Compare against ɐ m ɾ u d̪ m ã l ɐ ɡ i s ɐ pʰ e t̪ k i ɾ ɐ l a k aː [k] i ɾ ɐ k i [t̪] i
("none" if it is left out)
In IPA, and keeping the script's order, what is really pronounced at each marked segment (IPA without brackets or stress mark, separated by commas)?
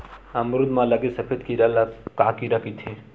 k, t̪ʰ